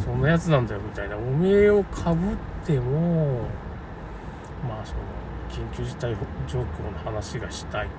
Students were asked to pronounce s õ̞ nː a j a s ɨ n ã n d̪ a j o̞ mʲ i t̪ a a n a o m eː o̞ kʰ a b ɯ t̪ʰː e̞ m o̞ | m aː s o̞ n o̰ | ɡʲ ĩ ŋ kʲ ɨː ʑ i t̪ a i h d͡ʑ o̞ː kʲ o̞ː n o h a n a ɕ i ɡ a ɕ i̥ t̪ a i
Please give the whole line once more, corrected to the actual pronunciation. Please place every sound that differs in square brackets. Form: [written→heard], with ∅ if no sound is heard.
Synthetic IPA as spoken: s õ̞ nː a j a [s→t͡s] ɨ n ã n d̪ a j o̞ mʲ i t̪ a [a→i] n a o m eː o̞ kʰ a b ɯ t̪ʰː e̞ m o̞ | m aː s o̞ n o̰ | [ɡʲ→kʲ] ĩ ŋ kʲ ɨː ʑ i t̪ a i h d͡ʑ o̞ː kʲ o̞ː n o h a n a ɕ i ɡ a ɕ i̥ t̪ a i